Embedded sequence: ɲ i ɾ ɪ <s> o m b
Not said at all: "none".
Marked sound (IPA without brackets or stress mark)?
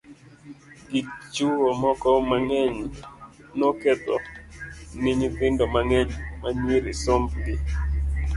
s